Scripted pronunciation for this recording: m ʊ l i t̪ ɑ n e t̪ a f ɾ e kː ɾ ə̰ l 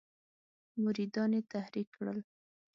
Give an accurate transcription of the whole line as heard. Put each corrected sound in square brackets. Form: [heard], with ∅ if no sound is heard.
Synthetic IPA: m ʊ [ɾ] i [d̪] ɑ n e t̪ a [h] ɾ [i] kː [ɽ] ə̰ l

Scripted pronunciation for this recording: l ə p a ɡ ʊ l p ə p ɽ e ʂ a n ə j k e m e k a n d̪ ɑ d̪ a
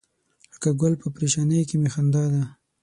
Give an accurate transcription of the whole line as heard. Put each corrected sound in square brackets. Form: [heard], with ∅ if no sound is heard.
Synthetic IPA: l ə [k] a ɡ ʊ l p ə p [ɾ] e [ʃ] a n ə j k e m e [x] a n d̪ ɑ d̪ a

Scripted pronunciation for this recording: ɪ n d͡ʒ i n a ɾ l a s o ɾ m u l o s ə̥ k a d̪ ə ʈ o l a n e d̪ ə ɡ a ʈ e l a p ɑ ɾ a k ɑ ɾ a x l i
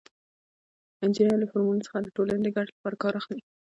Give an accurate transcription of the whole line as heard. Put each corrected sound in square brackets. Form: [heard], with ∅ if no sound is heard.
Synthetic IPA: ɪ n d͡ʒ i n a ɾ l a [f] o ɾ m u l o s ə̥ [x] a d̪ ə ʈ o l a n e d̪ ə ɡ a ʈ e l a p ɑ ɾ a k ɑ ɾ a x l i

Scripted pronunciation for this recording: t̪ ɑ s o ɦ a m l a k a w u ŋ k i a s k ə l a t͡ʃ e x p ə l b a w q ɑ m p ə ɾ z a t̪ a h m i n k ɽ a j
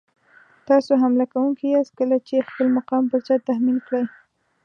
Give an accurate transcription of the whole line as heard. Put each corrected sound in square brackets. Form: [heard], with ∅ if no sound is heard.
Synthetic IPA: t̪ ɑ s o ɦ a m l a k a w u ŋ k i a s k ə l a t͡ʃ e x p ə l [m] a [∅] q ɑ m p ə ɾ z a t̪ a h m i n k ɽ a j

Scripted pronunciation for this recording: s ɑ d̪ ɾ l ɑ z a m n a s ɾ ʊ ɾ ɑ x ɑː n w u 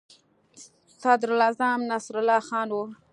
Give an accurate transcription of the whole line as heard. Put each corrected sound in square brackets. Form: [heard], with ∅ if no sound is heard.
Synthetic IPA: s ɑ d̪ ɾ l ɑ z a m n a s ɾ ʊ [l] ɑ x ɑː n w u

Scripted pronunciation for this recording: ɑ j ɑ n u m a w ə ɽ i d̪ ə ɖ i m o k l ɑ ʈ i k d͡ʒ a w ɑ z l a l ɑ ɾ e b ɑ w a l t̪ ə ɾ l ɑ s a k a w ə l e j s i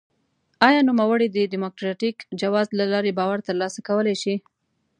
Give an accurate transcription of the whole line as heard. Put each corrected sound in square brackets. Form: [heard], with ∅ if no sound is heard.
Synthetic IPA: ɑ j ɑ n u m a w ə ɽ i d̪ ə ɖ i m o k [ɾ] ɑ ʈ i k d͡ʒ a w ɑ z l a l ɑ ɾ e b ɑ w a [ɾ] t̪ ə ɾ l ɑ s a k a w ə l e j [ʃ] i

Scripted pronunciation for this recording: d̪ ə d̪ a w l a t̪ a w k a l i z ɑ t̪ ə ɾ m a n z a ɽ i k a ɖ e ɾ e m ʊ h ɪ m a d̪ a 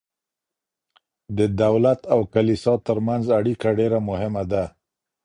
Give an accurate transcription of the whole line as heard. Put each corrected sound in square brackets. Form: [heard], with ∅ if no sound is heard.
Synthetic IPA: d̪ ə d̪ a w l a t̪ a w k a l i [s] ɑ t̪ ə ɾ m a n z a ɽ i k a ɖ e ɾ [a] m ʊ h ɪ m a d̪ a

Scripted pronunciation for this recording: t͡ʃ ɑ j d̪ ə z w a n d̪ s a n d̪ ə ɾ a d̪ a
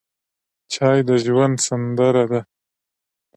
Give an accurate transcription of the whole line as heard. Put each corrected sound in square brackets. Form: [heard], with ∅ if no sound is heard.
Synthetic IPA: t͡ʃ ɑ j d̪ ə [ʒ] w a n d̪ s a n d̪ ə ɾ a d̪ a

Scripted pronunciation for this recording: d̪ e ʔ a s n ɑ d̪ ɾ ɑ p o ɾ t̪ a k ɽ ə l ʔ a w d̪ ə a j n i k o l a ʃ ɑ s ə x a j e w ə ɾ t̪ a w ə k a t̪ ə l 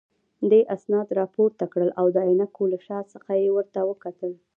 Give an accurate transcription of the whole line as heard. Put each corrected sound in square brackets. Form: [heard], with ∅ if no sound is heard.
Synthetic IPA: d̪ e ʔ a s n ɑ d̪ ɾ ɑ p o ɾ t̪ a k ɽ ə l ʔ a w d̪ ə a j n [a] k o l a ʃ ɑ s ə x a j e w ə ɾ t̪ a w ə k a t̪ ə l

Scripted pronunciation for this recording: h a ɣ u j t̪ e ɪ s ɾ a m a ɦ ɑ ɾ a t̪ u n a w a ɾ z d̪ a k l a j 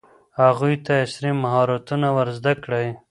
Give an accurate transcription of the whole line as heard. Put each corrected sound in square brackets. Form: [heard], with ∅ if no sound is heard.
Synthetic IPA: h a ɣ u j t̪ [a] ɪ s ɾ [i] m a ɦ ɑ ɾ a t̪ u n a w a ɾ z d̪ a k [ɽ] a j

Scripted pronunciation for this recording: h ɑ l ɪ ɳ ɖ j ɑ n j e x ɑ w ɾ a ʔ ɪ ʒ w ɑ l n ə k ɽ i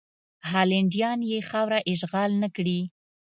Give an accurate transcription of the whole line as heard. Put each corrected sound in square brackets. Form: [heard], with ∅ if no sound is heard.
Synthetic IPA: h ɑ l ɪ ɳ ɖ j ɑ n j e x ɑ w ɾ a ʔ ɪ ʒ [ɣ] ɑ l n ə k ɽ i

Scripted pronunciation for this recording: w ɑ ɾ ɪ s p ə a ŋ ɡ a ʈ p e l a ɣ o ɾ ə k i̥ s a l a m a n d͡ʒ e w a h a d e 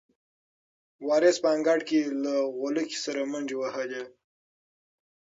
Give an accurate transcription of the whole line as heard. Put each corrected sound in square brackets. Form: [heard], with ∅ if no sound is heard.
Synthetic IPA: w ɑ ɾ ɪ s p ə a ŋ ɡ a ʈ [k] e l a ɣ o [l] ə k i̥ s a [ɾ] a m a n d͡ʒ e w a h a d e

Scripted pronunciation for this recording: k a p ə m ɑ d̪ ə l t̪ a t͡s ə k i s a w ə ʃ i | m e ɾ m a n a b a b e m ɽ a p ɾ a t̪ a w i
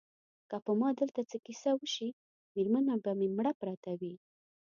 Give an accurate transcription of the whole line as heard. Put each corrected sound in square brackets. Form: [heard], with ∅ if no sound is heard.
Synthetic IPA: k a p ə m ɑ d̪ ə l t̪ a t͡s ə k i s a w ə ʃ i | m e ɾ m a n a b a [m] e m ɽ a p ɾ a t̪ a w i

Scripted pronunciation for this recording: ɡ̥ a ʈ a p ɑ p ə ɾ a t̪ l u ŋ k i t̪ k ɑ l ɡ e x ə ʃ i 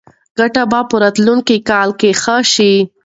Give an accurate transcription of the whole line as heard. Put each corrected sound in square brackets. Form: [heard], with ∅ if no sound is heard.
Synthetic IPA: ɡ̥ a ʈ a [b] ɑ p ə ɾ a t̪ l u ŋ k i [∅] k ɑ l [k] e x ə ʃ i

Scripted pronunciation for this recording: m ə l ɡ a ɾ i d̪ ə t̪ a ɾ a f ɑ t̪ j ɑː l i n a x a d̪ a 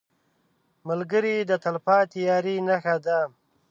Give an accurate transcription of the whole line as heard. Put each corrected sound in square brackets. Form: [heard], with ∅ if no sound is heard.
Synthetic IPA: m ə l ɡ [ə] ɾ i d̪ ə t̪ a [l] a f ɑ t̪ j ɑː [ɾ] i n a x a d̪ a

